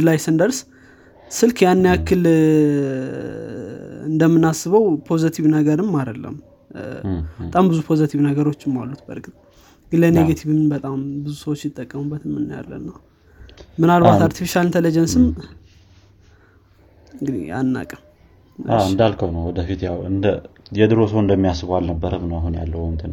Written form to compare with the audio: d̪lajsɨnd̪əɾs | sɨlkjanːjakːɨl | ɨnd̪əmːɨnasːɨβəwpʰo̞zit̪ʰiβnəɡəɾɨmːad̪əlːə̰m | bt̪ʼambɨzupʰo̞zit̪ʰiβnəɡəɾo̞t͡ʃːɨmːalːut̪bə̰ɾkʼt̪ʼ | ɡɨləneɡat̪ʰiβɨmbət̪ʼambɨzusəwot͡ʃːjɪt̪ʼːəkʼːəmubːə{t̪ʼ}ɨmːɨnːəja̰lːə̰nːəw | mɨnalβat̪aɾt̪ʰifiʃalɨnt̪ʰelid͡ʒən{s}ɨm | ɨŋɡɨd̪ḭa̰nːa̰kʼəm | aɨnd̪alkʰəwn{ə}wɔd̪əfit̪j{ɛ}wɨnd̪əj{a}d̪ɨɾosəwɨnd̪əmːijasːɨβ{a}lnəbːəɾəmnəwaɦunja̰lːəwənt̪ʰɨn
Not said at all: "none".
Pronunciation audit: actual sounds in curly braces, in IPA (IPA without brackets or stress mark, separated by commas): t̪, s, ə, a, ɛ, a